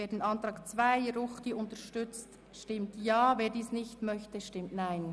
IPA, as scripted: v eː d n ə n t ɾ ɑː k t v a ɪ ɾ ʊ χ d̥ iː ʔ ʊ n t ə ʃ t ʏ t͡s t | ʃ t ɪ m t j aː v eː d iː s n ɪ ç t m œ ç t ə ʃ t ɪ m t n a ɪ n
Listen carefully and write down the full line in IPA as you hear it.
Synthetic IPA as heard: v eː d n ɑ n t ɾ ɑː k t͡s v a ɪ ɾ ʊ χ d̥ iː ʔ ʊ n t ə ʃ t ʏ t͡s t | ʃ t ɪ m t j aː v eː d iː s n ɪ ç t m œ ç t ə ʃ t ɪ m t n a ɪ n